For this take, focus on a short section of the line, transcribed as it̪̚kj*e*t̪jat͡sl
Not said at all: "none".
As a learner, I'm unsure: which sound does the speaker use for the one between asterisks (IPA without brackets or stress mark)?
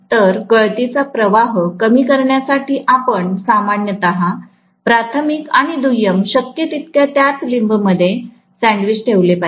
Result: a